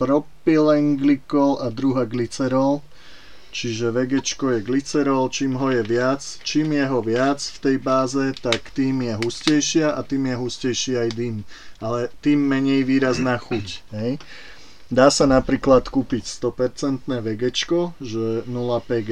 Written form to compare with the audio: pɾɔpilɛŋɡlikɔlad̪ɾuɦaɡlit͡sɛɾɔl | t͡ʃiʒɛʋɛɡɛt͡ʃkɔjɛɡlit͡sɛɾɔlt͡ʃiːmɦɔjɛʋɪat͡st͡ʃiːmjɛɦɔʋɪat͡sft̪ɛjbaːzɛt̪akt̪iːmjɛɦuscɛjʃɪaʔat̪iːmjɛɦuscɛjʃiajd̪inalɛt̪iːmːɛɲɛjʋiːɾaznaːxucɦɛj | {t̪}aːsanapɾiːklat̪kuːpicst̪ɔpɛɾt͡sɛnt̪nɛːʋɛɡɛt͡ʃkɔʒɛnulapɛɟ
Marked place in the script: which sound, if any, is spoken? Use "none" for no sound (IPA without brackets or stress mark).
d̪